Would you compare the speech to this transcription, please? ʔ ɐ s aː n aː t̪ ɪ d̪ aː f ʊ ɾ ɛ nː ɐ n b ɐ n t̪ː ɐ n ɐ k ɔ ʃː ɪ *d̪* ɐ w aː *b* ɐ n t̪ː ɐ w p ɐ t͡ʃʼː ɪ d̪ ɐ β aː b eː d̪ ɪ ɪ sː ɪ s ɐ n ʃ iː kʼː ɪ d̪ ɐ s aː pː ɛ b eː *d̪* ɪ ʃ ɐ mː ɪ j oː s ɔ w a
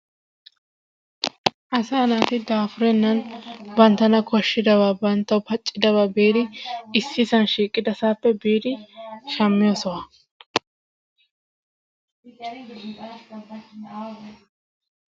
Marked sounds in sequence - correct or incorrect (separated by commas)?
correct, correct, correct